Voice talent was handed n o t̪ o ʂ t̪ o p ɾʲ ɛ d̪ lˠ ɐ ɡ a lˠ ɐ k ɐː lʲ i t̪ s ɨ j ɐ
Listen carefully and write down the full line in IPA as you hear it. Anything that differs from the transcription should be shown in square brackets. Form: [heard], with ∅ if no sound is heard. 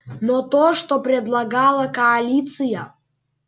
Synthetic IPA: n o t̪ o ʂ t̪ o p ɾʲ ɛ d̪ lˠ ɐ ɡ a lˠ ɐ k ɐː lʲ i t̪ s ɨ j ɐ